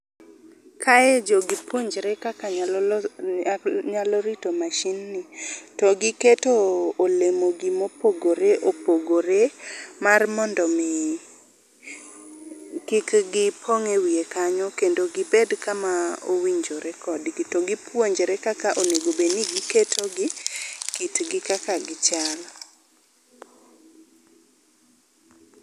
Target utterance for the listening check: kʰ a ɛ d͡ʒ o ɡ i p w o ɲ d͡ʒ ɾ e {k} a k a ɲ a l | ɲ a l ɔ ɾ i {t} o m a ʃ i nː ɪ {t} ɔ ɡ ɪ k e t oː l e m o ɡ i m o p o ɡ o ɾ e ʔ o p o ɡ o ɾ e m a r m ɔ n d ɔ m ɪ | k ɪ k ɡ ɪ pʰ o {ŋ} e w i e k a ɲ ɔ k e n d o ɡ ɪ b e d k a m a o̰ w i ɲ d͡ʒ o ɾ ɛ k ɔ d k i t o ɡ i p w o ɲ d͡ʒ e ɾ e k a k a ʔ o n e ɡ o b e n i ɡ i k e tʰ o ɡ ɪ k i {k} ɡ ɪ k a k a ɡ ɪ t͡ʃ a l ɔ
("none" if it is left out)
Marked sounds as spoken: k, t, t, ŋ, t

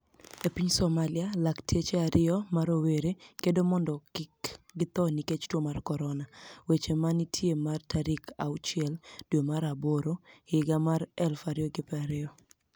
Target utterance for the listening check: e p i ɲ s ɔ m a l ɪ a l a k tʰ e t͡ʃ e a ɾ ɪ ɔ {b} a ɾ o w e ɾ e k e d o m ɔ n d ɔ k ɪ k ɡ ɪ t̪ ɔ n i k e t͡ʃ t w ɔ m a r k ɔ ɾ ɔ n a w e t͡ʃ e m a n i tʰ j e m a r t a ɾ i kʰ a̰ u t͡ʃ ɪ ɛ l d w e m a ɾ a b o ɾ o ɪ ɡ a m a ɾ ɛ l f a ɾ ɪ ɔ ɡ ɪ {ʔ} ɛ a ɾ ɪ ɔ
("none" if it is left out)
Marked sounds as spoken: m, p

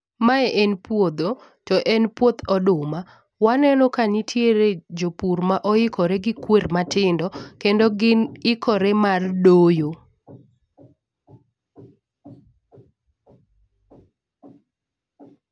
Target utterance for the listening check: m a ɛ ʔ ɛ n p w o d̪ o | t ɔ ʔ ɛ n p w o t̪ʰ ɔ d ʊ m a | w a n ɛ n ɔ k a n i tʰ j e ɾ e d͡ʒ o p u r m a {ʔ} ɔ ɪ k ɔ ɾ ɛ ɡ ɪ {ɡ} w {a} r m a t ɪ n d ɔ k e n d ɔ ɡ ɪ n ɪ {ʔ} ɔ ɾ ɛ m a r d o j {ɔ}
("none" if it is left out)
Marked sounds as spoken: ʔ, k, e, k, o

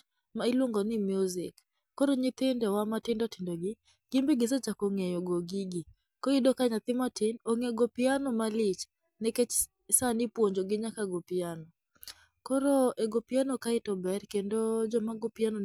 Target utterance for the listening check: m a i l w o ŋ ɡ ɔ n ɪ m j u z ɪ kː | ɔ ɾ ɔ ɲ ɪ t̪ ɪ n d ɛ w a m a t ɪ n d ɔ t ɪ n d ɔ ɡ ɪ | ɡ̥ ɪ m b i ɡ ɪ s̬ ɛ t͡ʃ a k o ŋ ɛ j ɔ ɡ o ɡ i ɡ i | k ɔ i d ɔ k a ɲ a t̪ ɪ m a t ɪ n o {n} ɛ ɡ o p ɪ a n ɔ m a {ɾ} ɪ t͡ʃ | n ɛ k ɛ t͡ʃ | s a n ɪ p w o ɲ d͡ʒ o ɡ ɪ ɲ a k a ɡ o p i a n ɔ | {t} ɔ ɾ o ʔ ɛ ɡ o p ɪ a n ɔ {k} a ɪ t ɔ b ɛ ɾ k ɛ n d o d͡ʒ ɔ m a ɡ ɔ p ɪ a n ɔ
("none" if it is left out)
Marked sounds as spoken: ŋ, l, k, k

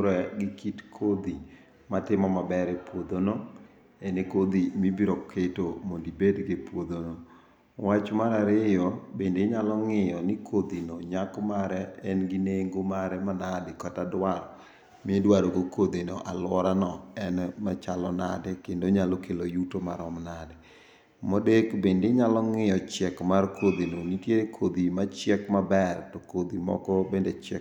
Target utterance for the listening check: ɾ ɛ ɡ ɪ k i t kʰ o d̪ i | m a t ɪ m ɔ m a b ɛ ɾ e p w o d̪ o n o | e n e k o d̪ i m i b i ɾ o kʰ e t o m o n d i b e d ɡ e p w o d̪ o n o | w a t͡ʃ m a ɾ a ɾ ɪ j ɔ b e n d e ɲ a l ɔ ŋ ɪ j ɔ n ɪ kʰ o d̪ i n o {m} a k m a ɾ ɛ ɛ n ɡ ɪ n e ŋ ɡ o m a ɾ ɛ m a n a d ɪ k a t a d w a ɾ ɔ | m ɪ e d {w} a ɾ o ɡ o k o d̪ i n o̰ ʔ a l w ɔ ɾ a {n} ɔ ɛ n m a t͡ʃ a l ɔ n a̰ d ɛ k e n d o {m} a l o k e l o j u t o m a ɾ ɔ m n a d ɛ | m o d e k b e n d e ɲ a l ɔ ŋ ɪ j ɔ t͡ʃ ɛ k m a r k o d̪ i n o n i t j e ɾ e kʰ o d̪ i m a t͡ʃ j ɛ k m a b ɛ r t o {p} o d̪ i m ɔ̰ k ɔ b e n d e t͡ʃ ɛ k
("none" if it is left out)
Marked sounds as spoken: ɲ, w, n, ɲ, k

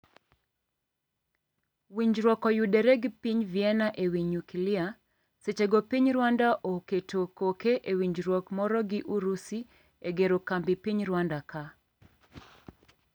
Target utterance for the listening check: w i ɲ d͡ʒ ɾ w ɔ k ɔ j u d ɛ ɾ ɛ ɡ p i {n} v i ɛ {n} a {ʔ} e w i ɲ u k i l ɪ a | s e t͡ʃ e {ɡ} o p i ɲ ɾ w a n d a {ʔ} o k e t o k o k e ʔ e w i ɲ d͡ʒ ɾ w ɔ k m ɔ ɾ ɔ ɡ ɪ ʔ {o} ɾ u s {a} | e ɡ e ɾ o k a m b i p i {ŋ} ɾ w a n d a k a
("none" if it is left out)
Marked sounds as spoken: ɲ, n, ʔ, ɡ, ʔ, u, i, ɲ

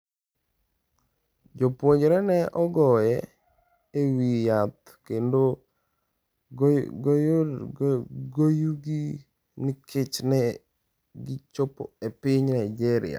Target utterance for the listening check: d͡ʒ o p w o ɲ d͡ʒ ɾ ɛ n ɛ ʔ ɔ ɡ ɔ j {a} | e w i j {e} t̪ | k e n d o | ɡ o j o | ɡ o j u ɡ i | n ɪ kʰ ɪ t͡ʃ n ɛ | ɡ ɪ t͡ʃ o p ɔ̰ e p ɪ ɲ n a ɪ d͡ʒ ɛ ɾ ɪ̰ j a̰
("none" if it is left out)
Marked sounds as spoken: ɛ, a

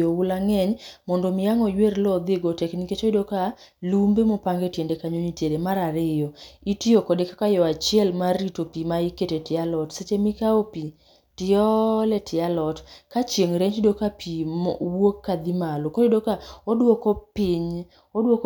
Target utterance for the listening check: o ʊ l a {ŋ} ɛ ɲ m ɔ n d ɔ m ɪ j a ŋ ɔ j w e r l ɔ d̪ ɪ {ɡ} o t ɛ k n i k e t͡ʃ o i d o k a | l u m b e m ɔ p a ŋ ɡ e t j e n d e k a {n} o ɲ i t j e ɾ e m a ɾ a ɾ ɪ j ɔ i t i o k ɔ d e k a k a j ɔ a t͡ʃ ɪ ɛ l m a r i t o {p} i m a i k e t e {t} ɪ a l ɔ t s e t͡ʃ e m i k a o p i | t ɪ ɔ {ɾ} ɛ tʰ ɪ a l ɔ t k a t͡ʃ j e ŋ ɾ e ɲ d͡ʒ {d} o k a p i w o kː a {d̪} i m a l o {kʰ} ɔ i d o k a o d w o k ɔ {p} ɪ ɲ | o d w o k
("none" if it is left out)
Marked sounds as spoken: ŋ, ɡ, ɲ, p, t, l, d, d̪, k, p

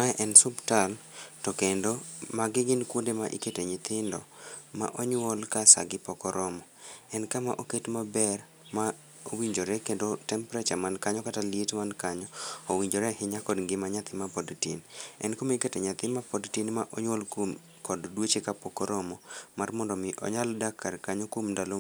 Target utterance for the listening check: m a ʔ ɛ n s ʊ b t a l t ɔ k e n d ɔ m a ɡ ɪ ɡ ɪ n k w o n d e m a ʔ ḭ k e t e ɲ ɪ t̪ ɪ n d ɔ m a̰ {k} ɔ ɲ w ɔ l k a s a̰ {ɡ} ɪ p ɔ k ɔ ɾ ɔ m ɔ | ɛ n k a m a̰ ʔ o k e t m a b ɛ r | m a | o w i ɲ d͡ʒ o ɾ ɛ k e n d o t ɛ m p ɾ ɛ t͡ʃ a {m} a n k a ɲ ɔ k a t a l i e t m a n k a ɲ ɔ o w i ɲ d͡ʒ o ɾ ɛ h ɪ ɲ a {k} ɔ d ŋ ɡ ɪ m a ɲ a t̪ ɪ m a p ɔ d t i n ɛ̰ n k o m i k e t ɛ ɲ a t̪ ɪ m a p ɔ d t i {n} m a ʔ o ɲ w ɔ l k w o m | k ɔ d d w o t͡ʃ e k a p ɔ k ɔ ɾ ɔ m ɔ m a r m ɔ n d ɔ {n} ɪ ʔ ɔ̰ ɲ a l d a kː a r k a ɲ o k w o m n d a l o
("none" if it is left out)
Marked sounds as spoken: ʔ, ɡ, m, k, n, m

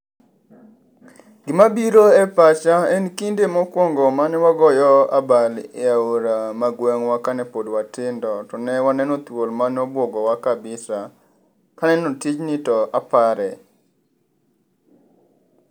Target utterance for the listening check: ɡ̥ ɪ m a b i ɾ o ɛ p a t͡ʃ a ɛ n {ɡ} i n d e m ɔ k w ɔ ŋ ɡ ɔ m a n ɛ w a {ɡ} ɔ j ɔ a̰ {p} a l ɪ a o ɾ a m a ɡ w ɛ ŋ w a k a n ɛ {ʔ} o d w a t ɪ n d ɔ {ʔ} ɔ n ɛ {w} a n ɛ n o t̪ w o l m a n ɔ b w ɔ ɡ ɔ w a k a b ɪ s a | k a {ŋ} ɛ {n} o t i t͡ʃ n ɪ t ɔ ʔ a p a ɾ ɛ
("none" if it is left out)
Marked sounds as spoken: k, ɡ, b, p, t, w, n, n

